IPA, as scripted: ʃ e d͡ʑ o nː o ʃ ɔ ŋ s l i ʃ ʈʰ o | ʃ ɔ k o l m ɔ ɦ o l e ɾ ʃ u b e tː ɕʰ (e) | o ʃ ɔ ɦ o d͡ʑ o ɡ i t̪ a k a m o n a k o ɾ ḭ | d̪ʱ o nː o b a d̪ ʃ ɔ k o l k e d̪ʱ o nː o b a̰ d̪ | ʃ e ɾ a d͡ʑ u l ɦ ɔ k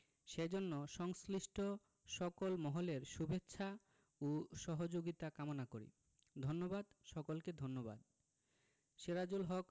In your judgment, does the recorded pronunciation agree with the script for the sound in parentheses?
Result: no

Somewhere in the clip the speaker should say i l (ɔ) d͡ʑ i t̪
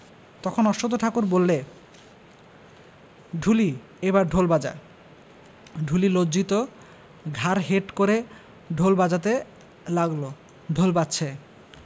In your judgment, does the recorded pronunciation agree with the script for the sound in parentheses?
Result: no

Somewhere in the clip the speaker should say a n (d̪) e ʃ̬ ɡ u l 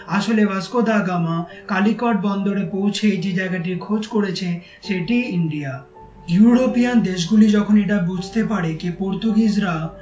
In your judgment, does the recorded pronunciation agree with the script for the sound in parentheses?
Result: yes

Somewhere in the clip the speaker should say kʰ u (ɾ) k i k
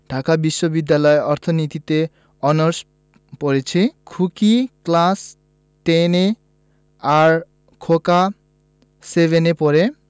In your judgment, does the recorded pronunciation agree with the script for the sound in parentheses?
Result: no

